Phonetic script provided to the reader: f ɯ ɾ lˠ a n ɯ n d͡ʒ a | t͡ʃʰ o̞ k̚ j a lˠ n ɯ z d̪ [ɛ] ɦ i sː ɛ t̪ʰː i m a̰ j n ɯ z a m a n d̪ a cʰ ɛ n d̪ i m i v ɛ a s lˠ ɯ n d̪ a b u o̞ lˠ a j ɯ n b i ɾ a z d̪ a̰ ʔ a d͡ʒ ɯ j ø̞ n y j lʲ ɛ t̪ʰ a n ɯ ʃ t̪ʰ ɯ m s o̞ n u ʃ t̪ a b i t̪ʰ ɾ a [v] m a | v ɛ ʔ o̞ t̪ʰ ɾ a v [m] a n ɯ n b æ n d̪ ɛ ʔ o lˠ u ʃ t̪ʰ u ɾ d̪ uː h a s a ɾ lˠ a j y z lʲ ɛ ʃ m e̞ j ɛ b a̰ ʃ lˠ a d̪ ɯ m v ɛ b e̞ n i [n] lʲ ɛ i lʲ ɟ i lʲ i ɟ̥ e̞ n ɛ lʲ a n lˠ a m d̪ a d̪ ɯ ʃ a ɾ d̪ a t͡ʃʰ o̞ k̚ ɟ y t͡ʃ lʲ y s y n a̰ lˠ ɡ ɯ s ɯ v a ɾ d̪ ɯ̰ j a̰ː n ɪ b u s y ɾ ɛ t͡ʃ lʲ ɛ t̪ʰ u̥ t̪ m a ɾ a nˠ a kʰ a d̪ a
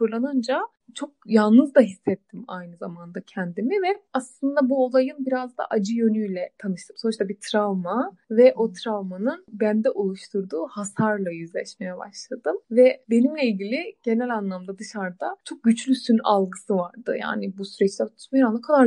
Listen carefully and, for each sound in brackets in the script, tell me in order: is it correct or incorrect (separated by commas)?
incorrect, correct, correct, incorrect